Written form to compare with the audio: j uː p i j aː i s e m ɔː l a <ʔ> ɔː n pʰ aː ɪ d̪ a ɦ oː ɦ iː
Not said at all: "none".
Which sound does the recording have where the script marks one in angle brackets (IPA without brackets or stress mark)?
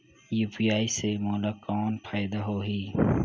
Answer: k